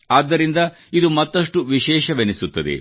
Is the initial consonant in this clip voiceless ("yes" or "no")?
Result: no